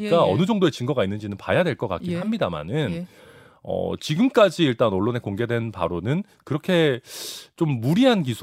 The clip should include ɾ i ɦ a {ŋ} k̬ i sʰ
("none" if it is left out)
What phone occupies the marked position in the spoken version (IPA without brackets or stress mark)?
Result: n